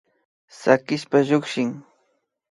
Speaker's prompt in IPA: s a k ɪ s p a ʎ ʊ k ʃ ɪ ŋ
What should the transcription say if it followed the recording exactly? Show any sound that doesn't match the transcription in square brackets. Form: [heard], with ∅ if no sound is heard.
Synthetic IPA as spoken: s a k ɪ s p a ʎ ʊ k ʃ ɪ ŋ